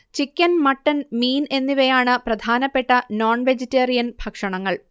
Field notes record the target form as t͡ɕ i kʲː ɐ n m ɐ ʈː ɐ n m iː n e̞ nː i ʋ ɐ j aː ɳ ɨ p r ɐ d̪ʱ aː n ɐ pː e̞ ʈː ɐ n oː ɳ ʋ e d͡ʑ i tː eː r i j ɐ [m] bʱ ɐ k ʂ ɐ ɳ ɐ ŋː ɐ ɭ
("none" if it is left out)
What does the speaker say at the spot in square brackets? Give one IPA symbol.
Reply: n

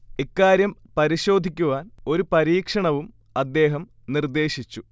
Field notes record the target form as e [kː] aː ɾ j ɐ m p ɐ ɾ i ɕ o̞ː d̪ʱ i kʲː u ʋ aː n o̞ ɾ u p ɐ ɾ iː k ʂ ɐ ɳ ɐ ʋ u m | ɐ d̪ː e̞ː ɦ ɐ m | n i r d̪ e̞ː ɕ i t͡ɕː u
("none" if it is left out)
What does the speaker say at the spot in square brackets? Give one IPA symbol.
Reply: kː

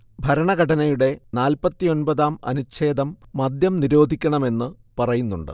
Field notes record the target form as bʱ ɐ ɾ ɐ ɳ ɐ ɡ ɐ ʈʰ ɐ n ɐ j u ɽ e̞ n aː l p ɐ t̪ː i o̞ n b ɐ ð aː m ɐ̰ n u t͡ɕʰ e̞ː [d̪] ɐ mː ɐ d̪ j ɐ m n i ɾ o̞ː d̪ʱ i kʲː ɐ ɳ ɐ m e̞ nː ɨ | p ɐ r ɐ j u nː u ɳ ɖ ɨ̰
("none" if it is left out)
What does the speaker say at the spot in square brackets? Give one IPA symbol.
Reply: d̪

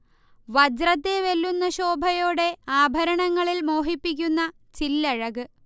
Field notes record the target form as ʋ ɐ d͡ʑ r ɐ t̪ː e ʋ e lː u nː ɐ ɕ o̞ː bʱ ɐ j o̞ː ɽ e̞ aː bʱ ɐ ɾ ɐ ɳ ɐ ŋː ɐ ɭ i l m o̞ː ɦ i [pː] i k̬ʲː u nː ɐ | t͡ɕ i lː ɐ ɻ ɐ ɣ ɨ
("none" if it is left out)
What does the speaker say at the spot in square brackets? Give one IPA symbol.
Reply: pː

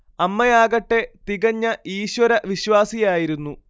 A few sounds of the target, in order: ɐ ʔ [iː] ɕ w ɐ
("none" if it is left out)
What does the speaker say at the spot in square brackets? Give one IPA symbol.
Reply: iː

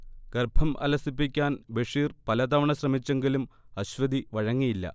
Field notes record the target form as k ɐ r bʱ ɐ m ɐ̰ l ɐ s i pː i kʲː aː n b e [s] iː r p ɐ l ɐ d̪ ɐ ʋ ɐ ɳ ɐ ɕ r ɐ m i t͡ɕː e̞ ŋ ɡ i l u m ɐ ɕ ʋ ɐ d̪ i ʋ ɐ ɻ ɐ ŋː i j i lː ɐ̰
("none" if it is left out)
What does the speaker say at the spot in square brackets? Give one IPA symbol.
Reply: ʂ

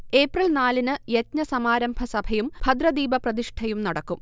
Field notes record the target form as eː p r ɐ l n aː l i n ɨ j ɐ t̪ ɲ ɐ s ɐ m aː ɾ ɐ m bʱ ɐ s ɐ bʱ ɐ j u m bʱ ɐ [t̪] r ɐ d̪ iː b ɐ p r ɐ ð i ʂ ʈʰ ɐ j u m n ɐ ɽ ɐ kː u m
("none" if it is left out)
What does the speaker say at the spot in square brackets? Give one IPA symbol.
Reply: d̪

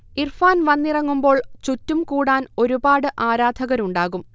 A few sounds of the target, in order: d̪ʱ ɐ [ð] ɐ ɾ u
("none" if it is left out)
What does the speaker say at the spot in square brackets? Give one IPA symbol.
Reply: ɣ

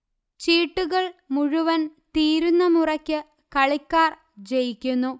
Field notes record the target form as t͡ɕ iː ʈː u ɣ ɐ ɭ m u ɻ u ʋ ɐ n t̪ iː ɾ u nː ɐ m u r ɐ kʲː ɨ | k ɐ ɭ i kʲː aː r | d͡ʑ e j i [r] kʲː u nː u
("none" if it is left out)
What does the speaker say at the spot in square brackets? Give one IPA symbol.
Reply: none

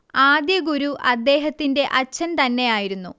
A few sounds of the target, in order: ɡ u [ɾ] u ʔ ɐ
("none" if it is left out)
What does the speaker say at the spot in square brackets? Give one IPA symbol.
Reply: ɾ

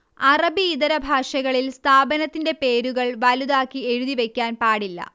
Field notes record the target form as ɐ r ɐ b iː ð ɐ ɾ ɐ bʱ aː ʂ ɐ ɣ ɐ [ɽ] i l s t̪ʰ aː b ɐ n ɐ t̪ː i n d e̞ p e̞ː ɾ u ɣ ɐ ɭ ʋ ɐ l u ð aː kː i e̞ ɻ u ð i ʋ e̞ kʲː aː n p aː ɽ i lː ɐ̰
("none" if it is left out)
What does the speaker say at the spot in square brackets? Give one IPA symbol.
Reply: ɭ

